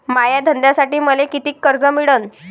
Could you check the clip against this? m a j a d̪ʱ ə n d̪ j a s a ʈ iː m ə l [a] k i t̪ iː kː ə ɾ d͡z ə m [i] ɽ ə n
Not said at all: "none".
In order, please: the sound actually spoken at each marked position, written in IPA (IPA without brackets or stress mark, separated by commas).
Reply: e, i